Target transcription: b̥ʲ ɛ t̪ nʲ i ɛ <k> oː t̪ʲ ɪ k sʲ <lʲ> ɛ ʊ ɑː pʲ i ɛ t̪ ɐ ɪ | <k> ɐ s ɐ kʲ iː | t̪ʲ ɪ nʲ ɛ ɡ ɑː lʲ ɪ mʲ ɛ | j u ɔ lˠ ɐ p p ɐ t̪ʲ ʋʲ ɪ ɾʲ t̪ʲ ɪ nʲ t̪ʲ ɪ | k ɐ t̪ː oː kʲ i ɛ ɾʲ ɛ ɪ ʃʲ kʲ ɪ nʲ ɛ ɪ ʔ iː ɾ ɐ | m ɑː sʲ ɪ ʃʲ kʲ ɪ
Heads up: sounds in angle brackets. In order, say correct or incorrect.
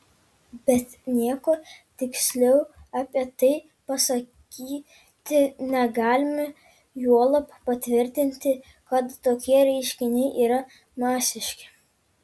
correct, correct, incorrect: p

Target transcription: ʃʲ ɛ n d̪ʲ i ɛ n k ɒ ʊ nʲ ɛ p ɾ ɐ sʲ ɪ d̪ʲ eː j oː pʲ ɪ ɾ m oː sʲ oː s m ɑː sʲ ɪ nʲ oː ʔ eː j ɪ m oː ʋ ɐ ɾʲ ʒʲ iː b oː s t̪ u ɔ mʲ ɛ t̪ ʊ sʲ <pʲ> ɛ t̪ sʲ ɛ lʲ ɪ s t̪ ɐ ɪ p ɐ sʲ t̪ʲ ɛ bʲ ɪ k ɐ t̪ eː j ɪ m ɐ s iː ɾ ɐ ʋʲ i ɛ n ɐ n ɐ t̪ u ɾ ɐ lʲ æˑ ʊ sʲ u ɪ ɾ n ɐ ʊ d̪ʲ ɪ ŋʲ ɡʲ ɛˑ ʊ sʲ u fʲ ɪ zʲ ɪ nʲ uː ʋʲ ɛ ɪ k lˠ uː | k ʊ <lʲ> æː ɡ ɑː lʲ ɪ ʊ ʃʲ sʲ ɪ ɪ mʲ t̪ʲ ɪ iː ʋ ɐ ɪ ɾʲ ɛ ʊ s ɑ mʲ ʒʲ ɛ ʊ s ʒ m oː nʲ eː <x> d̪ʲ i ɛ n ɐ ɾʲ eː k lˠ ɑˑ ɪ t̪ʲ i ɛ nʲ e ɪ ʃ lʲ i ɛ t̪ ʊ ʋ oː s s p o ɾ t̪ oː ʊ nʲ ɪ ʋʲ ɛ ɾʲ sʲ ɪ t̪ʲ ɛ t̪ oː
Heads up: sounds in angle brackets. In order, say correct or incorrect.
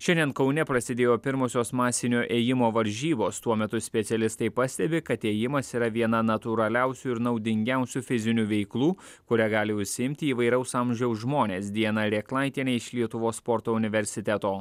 correct, incorrect: ɾʲ, incorrect: s

